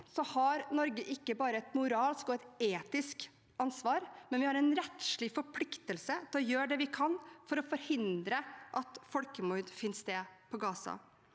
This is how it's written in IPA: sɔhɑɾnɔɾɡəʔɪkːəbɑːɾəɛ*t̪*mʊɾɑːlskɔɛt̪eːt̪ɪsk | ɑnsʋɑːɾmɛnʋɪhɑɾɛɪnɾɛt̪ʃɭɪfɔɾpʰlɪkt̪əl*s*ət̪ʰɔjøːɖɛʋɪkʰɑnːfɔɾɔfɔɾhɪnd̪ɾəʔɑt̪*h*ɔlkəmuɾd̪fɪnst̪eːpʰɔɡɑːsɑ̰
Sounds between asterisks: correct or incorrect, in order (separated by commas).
correct, correct, incorrect